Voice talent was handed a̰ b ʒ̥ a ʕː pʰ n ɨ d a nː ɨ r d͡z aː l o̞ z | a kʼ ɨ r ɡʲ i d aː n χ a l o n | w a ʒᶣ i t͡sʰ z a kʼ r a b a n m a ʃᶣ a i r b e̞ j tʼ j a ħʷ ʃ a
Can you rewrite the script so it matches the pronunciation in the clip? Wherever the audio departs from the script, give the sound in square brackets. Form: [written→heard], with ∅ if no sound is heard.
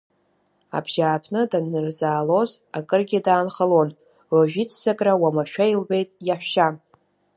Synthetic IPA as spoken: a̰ b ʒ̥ a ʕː pʰ n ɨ d a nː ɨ r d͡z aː l o̞ z | a kʼ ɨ r ɡʲ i d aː n χ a l o n | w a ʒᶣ i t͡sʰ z a kʼ r a [b→w] a [n→∅] m a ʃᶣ a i [r→l] b e̞ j tʼ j a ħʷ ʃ a

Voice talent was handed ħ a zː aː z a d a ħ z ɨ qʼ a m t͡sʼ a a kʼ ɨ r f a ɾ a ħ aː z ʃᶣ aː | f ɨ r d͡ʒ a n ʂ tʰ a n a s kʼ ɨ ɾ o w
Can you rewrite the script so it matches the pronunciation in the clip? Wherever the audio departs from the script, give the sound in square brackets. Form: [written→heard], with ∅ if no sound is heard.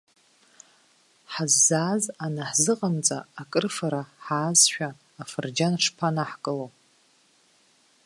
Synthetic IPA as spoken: ħ a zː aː z a [d→n] a ħ z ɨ qʼ a m t͡sʼ a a kʼ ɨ r f a ɾ a ħ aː z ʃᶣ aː | f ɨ r d͡ʒ a n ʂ [tʰ→pʰ] a n a [s→ħ] kʼ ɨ [ɾ→l] o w

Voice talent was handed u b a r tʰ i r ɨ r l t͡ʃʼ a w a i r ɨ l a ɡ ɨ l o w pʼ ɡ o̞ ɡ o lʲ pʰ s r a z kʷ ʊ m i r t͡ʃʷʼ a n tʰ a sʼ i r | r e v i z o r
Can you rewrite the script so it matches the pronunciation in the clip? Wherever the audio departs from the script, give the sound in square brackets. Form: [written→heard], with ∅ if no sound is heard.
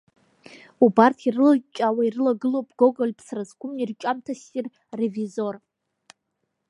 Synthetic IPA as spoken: u b a r tʰ i r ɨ [r→∅] l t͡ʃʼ a w a i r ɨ l a ɡ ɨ l o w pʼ ɡ o̞ ɡ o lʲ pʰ s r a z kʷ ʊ m i r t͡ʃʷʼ a [n→m] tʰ a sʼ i r | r e v i z o r

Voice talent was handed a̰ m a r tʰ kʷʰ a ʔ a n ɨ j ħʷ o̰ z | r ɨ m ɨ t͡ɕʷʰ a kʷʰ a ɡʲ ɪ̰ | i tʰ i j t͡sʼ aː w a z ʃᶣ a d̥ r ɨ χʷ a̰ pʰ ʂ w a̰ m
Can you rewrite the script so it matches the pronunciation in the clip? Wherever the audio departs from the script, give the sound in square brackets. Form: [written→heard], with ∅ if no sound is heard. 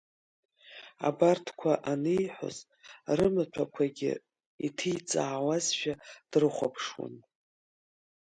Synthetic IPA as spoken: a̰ [m→b] a r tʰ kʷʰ a ʔ a n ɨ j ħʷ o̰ z | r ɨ m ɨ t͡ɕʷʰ a kʷʰ a ɡʲ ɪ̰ | i tʰ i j t͡sʼ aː w a z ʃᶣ a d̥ r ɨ χʷ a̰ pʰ ʂ w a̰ [m→n]

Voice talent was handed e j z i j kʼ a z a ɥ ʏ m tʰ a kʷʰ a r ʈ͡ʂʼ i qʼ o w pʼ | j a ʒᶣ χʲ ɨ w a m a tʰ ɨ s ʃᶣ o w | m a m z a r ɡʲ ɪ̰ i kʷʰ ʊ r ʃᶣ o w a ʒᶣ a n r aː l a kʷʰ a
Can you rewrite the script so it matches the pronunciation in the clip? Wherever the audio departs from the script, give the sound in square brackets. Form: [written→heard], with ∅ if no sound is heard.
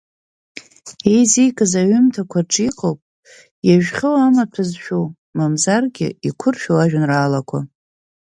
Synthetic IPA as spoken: e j z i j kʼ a z a ɥ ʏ m tʰ a kʷʰ a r ʈ͡ʂʼ i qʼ o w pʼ | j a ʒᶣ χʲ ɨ w a m a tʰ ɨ [s→z] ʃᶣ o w | m a m z a r ɡʲ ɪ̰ i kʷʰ ʊ r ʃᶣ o w a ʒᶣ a n r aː l a kʷʰ a

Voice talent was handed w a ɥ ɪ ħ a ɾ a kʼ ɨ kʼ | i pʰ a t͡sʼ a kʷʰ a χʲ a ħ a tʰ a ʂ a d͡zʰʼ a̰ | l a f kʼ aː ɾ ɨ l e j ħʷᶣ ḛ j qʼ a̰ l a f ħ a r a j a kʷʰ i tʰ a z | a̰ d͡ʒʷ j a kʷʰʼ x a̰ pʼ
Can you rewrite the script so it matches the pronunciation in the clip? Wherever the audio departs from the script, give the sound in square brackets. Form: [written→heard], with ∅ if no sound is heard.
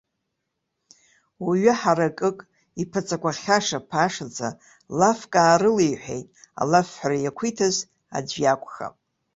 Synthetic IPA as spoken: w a ɥ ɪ ħ a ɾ a kʼ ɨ kʼ | i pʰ a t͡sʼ a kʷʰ a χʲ a [ħ→ʂ] a [tʰ→pʰ] a ʂ a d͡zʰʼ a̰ | l a f kʼ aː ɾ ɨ l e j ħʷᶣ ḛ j [qʼ→tʼ] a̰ l a f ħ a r a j a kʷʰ i tʰ a z | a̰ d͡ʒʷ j a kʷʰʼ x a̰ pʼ

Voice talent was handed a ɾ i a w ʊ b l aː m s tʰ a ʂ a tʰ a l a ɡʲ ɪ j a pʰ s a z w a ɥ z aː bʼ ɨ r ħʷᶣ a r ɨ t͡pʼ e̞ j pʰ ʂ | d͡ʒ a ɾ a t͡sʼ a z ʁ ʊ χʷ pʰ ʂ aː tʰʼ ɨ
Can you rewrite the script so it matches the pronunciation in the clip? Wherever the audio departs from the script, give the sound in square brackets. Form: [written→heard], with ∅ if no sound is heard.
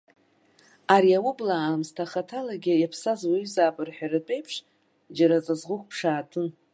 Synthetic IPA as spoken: a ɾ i a w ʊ b l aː m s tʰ a [ʂ→χ] a tʰ a l a ɡʲ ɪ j a pʰ s a z w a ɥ z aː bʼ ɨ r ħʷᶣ a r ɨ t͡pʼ e̞ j pʰ ʂ | d͡ʒ a ɾ a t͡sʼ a z ʁ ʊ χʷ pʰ ʂ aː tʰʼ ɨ

